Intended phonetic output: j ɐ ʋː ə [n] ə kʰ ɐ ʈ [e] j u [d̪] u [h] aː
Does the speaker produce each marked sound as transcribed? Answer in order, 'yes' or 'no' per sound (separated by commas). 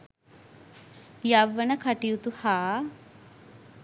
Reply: yes, no, no, yes